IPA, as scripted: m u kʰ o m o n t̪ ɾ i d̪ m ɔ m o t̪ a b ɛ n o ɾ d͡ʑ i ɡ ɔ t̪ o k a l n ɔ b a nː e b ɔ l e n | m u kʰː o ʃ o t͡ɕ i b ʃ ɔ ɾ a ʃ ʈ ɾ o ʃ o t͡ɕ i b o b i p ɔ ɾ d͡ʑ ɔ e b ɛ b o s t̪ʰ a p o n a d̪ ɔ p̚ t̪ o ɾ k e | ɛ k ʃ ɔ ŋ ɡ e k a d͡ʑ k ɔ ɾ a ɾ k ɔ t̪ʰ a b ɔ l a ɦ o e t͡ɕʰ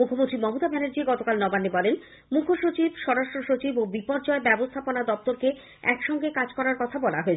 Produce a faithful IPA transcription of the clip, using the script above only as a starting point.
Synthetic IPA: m u kʰ o m o n t̪ ɾ i m ɔ m o t̪ a b ɛ n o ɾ d͡ʑ i ɡ ɔ t̪ o k a l n ɔ b a nː e b ɔ l e n | m u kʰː o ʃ o t͡ɕ i b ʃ ɔ ɾ a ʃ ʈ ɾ o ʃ o t͡ɕ i b o b i p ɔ ɾ d͡ʑ ɔ e b ɛ b o s t̪ʰ a p o n a d̪ ɔ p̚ t̪ o ɾ k e | ɛ k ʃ ɔ ŋ ɡ e k a d͡ʑ k ɔ ɾ a ɾ k ɔ t̪ʰ a b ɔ l a ɦ o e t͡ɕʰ